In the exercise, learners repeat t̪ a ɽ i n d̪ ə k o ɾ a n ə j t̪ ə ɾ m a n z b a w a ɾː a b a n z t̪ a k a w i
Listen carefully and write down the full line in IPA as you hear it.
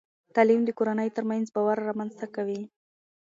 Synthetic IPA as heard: t̪ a l i m d̪ ə k o ɾ a n ə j t̪ ə ɾ m a n z b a w a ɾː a m a n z t̪ a k a w i